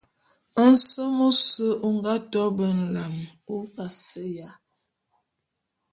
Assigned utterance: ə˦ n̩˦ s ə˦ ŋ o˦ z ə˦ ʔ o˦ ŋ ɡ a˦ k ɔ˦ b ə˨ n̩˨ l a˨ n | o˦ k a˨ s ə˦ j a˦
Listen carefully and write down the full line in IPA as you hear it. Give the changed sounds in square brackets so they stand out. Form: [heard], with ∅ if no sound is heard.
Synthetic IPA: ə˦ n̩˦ s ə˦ [m] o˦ [s] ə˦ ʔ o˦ ŋ ɡ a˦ [t] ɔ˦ b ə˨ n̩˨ l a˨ [m] | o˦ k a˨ s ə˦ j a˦